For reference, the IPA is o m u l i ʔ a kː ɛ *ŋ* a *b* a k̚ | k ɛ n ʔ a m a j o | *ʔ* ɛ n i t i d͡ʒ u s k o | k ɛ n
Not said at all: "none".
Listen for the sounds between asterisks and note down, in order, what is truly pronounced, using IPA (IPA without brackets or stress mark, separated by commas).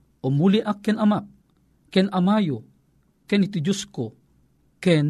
n, m, k